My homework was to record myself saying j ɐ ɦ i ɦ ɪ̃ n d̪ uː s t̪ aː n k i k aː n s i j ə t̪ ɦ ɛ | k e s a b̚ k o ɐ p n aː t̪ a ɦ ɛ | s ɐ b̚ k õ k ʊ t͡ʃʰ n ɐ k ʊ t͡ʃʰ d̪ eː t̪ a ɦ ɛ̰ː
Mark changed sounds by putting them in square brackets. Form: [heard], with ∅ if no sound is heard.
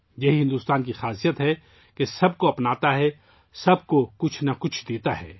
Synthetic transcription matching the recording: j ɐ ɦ i ɦ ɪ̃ n d̪ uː s t̪ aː n k i [x] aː [∅] s i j ə t̪ ɦ ɛ | k e s [ɐ] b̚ k o ɐ p n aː t̪ a ɦ ɛ | s ɐ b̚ k [o] k ʊ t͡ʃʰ n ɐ k ʊ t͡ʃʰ d̪ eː t̪ a ɦ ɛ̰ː